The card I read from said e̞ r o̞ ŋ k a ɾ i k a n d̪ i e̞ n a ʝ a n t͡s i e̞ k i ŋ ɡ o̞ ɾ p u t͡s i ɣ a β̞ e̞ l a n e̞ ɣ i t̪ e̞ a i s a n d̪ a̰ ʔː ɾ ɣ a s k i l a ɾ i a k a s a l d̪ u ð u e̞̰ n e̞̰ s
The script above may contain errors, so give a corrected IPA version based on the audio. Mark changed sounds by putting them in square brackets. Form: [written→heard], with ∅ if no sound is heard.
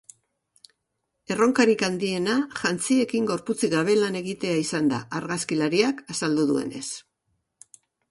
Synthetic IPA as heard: e̞ r o̞ ŋ k a ɾ i k a n d̪ i e̞ n a ʝ a n t͡s i e̞ k i ŋ ɡ o̞ ɾ p u t͡s i ɣ a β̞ e̞ l a n e̞ ɣ i t̪ e̞ a i s a n d̪ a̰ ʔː ɾ ɣ a s k i l a ɾ i a k a s a l d̪ u ð u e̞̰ n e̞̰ s

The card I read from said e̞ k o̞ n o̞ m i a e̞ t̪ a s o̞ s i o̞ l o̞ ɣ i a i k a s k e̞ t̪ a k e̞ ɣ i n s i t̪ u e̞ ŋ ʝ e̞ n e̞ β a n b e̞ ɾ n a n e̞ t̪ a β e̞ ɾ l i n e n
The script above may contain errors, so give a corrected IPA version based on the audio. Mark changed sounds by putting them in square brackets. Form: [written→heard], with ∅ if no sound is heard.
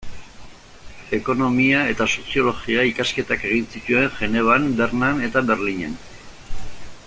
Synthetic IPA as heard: e̞ k o̞ n o̞ m i a e̞ t̪ a s o̞ s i o̞ l o̞ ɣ i a i k a s k e̞ t̪ a k e̞ ɣ i n s i t̪ u e̞ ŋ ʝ e̞ n e̞ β a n b e̞ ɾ n a n e̞ t̪ a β e̞ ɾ l i [n→ɲ] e n

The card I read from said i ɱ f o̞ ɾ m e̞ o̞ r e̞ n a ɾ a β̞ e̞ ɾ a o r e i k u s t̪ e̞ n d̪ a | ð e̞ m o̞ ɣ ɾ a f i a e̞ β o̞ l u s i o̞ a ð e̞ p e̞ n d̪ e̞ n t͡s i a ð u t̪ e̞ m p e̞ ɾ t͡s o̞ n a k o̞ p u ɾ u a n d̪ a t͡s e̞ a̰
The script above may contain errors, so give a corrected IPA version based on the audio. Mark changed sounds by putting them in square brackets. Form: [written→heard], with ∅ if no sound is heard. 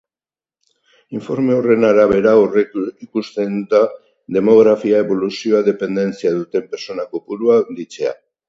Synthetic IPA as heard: i ɱ f o̞ ɾ m e̞ o̞ r e̞ n a ɾ a β̞ e̞ ɾ a o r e i k u s t̪ e̞ n d̪ a | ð e̞ m o̞ ɣ ɾ a f i a e̞ β o̞ l u s i o̞ a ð e̞ p e̞ n d̪ e̞ n t͡s i a ð u t̪ e̞ m p e̞ ɾ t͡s o̞ n a k o̞ p u ɾ u a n d̪ [a→i] t͡s e̞ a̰

